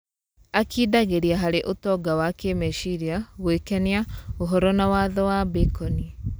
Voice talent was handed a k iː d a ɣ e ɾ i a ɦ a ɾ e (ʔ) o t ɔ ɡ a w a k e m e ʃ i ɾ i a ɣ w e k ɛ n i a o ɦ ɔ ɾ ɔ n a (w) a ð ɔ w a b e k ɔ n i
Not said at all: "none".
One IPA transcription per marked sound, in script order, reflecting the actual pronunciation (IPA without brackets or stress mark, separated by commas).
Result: ʔ, w